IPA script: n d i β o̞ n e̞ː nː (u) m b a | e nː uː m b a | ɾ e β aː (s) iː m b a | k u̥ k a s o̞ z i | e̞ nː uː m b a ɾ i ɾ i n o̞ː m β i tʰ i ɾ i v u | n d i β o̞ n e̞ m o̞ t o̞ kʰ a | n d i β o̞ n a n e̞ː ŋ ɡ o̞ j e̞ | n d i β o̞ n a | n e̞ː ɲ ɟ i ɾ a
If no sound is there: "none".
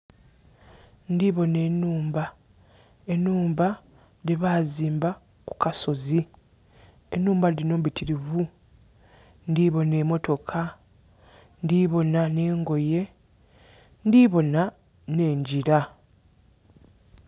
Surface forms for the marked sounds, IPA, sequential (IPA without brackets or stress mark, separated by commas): uː, z